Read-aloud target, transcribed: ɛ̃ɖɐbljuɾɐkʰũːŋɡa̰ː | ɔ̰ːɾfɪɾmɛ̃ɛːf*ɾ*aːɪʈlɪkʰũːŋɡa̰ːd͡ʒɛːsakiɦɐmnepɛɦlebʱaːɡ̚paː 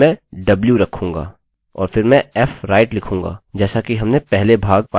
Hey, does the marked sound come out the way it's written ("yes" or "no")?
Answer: yes